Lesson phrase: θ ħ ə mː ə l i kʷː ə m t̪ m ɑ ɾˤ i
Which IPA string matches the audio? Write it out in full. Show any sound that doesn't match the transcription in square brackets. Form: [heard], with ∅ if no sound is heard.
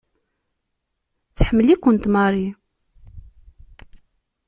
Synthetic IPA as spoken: θ ħ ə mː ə l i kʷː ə [n] t̪ m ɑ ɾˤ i